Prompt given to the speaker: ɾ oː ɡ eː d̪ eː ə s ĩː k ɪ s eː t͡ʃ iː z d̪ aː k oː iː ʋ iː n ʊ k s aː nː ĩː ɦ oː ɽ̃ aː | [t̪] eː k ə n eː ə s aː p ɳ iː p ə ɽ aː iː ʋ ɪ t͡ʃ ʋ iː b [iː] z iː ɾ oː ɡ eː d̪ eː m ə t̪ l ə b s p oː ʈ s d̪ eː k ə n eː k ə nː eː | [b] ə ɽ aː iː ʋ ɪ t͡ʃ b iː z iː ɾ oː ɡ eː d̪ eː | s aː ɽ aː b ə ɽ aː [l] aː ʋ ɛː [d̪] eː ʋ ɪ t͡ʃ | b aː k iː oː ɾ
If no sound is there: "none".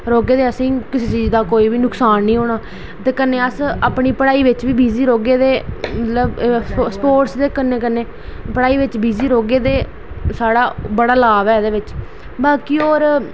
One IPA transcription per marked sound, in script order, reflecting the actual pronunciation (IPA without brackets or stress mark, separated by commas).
t̪, iː, p, l, d̪